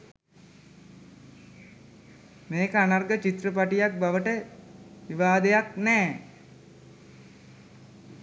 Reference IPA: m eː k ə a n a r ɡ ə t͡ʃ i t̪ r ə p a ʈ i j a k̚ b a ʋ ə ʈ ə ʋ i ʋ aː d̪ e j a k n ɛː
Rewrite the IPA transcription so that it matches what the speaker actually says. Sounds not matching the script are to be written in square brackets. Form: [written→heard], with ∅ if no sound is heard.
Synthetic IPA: m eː k ə a n a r ɡ ə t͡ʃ i t̪ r ə p a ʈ i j a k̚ b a ʋ ə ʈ ə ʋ i ʋ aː d̪ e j a k n ɛː